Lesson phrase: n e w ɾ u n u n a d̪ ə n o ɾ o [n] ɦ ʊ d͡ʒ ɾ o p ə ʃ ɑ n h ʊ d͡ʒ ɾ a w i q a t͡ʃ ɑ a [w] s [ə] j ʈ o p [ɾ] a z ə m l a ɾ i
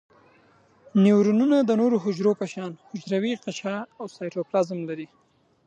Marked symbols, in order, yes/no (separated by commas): no, yes, no, no